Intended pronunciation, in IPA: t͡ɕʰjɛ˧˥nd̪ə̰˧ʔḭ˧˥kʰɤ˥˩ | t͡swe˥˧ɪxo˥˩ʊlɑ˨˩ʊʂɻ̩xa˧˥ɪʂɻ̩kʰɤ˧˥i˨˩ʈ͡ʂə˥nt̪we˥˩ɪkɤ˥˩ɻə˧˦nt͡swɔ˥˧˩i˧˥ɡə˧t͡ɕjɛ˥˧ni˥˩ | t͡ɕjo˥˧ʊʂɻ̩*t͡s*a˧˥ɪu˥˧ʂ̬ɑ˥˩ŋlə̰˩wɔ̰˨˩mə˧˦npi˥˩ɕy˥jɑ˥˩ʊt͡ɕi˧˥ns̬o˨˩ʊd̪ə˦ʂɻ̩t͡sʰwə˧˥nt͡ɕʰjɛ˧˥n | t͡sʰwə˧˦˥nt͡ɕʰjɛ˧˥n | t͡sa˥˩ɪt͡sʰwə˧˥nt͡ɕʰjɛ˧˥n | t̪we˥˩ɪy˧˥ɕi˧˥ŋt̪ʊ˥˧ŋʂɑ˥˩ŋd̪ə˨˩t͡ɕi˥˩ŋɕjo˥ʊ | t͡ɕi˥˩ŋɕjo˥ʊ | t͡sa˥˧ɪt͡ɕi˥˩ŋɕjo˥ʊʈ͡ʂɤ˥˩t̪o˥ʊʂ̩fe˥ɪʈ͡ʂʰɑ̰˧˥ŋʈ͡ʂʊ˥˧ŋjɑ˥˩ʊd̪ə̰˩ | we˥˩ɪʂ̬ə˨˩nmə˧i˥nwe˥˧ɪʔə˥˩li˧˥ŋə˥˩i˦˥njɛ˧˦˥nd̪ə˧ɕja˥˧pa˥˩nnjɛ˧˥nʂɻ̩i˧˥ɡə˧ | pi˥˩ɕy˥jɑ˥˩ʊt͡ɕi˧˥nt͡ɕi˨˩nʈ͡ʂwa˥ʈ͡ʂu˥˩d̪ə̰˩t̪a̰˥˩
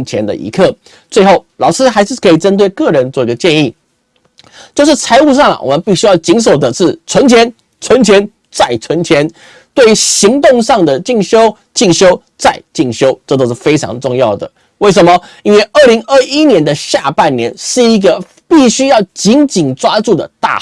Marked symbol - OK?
no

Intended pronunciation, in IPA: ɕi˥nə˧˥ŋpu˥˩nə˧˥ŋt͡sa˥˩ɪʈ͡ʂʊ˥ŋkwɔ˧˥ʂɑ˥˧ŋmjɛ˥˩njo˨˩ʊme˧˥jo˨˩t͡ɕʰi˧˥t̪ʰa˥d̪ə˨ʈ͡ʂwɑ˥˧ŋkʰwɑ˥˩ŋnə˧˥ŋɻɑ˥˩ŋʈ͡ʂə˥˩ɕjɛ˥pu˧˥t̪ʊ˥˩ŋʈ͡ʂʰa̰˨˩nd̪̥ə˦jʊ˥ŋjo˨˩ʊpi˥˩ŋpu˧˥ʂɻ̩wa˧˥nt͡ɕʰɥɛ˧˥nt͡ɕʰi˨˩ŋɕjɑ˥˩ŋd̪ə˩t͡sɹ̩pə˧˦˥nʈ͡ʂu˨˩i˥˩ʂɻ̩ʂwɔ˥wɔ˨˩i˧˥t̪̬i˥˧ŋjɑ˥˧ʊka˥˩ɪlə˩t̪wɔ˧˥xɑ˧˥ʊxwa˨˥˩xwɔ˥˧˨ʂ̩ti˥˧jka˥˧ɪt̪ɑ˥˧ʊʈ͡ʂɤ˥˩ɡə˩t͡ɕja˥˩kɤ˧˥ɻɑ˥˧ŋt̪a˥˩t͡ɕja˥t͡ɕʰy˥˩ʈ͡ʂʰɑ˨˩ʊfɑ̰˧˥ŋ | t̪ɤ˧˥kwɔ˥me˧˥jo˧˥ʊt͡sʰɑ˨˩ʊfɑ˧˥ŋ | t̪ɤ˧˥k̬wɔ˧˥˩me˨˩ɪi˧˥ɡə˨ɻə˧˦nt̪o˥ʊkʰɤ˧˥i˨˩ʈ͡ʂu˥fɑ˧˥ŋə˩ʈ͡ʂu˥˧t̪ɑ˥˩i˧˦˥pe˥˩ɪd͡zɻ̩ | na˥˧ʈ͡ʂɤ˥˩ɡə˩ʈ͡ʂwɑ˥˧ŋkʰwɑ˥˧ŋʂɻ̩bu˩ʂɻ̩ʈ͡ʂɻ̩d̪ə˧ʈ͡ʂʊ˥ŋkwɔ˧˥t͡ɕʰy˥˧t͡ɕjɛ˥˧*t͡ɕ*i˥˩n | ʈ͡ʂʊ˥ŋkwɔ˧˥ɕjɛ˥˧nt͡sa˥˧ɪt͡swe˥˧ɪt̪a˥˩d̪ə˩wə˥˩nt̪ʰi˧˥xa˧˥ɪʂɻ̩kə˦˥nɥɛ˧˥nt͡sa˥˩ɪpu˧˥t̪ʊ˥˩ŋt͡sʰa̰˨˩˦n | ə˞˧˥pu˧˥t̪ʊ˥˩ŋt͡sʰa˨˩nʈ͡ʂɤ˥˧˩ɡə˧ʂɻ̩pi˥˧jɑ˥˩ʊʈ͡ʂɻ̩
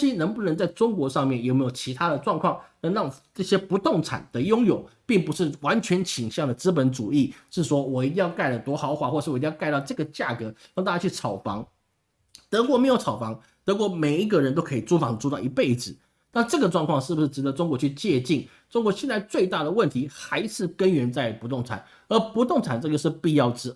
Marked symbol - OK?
yes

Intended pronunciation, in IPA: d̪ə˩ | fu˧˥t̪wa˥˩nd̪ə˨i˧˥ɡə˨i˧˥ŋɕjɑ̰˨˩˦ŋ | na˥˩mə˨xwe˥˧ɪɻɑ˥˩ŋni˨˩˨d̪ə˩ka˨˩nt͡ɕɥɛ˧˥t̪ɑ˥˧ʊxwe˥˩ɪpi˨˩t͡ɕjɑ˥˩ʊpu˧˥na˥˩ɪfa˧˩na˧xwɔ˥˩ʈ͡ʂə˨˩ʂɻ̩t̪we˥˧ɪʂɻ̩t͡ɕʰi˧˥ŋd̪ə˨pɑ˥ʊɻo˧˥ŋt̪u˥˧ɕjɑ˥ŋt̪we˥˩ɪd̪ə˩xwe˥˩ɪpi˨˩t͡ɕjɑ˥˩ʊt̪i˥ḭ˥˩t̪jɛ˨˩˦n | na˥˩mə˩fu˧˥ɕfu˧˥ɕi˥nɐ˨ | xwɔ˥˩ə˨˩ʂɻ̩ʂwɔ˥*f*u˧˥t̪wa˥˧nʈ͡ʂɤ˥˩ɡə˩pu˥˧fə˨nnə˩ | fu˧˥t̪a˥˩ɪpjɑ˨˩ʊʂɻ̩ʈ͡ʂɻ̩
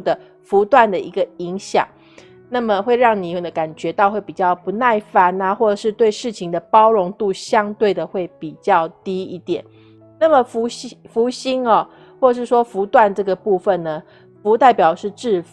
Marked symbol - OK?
yes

